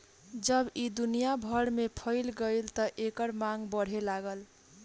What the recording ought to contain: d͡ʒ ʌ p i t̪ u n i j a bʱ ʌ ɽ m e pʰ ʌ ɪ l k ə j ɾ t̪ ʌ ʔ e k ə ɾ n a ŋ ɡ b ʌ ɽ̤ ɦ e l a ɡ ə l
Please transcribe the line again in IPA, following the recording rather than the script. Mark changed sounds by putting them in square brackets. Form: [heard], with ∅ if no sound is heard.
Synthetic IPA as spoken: d͡ʒ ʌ [b] i [d̪] u n i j a bʱ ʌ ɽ m e pʰ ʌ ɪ l [ɡ] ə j [l] t̪ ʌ ʔ e k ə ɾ [m] a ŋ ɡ b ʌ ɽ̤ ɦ e l a ɡ ə l